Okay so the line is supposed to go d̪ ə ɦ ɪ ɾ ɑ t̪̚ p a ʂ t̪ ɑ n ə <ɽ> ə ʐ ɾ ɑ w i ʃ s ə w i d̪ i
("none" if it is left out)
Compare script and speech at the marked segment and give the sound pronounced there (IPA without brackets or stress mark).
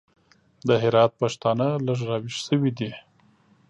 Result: l